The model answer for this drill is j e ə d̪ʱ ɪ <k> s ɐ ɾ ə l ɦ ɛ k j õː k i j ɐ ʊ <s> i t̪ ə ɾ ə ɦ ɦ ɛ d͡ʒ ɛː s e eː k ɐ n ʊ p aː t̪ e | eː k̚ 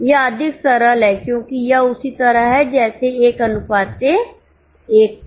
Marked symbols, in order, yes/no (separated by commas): yes, yes